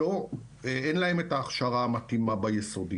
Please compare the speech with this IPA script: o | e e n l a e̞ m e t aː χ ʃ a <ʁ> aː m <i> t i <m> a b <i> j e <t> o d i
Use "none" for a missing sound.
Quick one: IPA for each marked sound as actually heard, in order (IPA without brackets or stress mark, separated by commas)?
ʁ, a, m, a, s